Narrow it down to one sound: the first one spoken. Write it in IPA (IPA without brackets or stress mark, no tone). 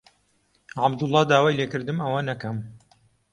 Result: ʕ